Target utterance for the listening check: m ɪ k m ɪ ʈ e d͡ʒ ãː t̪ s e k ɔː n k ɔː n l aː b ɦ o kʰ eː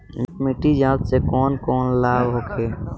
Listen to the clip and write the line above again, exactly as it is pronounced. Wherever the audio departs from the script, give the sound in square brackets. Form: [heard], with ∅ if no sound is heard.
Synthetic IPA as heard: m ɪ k m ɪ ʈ [i] d͡ʒ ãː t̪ s e k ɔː n k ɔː n l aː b ɦ o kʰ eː